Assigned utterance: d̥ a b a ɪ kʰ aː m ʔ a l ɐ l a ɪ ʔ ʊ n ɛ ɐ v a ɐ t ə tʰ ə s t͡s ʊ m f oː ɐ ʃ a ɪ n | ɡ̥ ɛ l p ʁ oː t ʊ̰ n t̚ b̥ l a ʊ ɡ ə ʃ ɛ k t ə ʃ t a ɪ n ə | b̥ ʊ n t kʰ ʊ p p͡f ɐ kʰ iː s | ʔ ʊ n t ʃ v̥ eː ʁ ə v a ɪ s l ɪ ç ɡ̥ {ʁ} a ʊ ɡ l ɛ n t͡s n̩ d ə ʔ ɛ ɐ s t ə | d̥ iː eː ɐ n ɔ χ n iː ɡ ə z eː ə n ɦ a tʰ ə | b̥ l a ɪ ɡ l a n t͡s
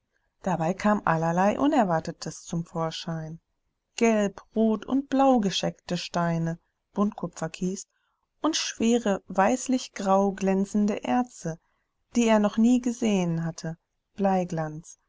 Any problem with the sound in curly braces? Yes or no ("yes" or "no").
no